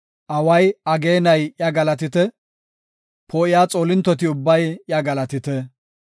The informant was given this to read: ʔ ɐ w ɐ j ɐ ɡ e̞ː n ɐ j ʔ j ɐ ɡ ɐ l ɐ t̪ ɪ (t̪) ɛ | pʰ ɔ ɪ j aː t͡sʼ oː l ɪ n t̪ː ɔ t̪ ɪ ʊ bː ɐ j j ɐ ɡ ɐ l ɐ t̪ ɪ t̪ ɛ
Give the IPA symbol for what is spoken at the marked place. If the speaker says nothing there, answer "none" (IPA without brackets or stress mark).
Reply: t̪